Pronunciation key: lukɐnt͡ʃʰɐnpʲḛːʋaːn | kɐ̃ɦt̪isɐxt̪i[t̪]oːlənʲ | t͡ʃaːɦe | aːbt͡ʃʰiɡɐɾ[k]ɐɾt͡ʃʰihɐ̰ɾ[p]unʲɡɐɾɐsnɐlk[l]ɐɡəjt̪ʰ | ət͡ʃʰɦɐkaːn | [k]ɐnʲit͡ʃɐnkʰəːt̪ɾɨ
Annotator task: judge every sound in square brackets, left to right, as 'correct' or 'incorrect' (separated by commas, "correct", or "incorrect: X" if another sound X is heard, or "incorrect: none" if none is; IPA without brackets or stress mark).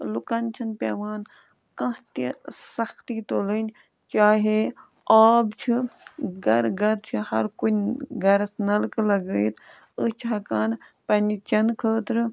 correct, incorrect: ɡ, incorrect: k, correct, incorrect: p